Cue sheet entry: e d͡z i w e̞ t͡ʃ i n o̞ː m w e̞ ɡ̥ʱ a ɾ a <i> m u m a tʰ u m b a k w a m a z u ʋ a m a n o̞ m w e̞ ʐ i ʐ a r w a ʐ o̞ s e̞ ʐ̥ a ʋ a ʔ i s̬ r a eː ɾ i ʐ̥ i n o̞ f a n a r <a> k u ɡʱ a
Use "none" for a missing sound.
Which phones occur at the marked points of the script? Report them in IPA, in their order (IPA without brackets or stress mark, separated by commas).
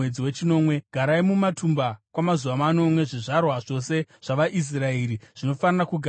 i, a